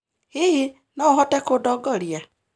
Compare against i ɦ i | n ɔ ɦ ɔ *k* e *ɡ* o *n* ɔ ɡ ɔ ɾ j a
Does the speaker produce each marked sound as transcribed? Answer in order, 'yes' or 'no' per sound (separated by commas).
no, no, no